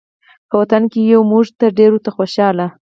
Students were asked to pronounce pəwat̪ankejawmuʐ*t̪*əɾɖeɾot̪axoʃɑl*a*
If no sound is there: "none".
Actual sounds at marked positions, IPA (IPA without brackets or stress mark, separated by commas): t̪, a